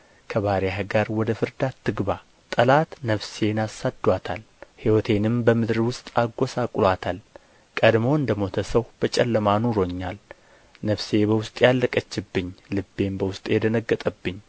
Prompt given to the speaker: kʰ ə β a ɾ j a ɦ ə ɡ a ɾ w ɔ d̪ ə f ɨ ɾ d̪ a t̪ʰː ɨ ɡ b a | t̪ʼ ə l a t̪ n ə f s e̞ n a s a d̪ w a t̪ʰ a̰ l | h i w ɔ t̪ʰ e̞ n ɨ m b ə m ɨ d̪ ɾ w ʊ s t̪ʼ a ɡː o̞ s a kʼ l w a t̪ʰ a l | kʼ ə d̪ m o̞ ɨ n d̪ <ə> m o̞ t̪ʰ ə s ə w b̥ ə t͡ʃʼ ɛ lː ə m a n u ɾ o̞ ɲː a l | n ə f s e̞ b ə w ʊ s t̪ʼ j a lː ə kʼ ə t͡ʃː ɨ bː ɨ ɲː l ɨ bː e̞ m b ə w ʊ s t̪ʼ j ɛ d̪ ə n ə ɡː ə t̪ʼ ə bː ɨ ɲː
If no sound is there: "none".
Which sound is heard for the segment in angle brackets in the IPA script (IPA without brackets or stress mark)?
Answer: ə